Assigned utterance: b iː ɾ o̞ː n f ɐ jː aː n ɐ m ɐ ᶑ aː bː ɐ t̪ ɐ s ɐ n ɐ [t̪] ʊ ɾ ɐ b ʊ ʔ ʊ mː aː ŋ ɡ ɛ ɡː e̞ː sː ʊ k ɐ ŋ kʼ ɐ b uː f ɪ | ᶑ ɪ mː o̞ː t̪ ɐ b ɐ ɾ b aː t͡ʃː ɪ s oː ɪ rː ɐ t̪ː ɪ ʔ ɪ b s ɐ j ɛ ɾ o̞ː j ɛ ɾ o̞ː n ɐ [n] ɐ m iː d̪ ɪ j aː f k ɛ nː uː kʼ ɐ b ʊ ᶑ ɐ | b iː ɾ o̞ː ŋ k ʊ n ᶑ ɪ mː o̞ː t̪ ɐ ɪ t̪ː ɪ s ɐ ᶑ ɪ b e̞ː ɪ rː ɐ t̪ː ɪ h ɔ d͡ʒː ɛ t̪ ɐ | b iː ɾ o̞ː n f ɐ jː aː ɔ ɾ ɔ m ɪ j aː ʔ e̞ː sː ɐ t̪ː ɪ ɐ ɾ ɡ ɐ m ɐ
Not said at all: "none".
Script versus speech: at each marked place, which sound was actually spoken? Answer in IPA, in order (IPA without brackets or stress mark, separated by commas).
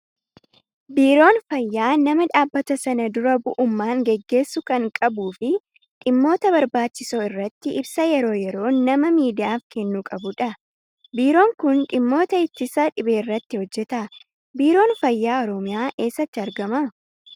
d̪, m